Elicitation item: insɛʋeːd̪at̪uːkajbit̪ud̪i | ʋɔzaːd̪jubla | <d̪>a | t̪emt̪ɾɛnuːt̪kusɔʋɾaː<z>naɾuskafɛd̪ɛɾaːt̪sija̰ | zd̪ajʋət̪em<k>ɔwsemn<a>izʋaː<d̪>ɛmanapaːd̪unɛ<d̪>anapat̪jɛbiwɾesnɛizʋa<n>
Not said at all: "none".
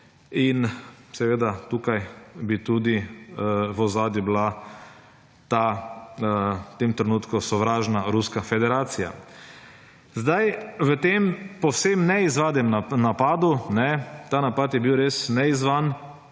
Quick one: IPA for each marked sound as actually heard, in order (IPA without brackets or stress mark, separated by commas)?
t̪, ʒ, p, ɛ, d̪, t̪, n